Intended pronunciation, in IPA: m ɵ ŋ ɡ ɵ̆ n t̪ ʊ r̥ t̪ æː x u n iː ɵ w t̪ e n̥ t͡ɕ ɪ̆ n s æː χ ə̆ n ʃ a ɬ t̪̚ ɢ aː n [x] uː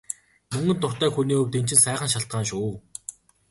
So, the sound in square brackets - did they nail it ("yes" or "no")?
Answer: no